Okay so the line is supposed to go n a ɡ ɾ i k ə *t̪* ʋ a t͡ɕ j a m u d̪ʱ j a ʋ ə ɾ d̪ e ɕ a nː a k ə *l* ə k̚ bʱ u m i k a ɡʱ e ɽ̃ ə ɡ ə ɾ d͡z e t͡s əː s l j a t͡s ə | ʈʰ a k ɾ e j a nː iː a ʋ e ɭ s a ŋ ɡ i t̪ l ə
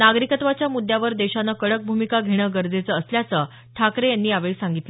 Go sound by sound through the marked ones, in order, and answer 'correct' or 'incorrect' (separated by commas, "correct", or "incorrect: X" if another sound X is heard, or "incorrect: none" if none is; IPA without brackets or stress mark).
correct, incorrect: ɽ